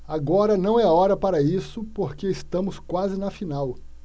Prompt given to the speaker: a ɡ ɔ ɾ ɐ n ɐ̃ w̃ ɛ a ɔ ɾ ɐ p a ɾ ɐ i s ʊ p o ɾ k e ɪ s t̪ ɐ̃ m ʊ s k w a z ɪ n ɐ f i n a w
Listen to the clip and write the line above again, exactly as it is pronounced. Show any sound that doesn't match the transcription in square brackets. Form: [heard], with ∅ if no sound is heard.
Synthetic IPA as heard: a ɡ ɔ ɾ ɐ n ɐ̃ w̃ ɛ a ɔ ɾ ɐ p a ɾ ɐ i s ʊ p o ɾ k e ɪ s t̪ ɐ̃ m ʊ s k w a z ɪ n ɐ f i n a w